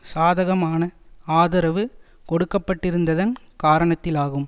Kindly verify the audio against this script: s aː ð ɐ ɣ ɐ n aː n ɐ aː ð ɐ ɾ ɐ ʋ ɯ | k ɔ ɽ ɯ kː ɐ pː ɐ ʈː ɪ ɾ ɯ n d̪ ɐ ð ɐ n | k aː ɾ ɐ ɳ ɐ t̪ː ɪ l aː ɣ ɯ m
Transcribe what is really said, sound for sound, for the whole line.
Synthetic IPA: s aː ð ɐ ɣ ɐ m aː n ɐ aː ð ɐ ɾ ɐ ʋ ɯ | k ɔ ɽ ɯ kː ɐ pː ɐ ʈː ɪ ɾ ɯ n d̪ ɐ ð ɐ n | k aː ɾ ɐ ɳ ɐ t̪ː ɪ l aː ɣ ɯ m